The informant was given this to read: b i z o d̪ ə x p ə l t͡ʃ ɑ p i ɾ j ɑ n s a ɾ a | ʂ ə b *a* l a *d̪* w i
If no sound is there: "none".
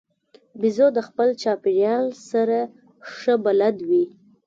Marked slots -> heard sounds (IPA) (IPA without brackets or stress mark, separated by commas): a, d̪